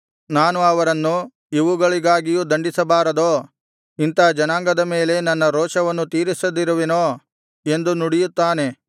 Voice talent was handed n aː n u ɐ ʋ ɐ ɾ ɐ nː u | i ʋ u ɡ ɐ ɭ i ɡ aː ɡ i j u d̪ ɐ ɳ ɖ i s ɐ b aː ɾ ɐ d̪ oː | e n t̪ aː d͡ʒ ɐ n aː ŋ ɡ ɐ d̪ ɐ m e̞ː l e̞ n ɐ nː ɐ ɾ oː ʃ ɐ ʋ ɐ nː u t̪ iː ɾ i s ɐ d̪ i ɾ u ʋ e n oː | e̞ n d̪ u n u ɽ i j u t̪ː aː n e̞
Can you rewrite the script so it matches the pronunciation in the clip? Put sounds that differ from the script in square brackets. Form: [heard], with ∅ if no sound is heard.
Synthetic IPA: n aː n u ɐ ʋ ɐ ɾ ɐ nː u | i ʋ u ɡ ɐ ɭ i ɡ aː ɡ i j u d̪ ɐ ɳ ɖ i s ɐ b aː ɾ ɐ d̪ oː | [i] n t̪ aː d͡ʒ ɐ n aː ŋ ɡ ɐ d̪ ɐ m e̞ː l e̞ n ɐ nː ɐ ɾ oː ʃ ɐ ʋ ɐ nː u t̪ iː ɾ i s ɐ d̪ i ɾ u ʋ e n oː | e̞ n d̪ u n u ɽ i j u t̪ː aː n e̞